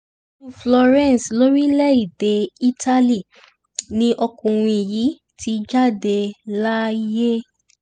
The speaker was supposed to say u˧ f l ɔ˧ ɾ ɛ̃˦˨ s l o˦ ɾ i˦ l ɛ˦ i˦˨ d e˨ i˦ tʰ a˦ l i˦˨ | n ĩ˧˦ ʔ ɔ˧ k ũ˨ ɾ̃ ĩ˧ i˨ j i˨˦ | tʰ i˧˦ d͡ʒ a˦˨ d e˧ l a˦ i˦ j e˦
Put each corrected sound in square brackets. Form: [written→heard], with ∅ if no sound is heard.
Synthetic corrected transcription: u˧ f l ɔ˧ ɾ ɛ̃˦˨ s l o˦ ɾ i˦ l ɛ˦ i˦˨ d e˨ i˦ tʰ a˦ l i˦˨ | n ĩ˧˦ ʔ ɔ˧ k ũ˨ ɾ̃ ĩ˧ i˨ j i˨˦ | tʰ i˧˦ d͡ʒ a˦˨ d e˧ l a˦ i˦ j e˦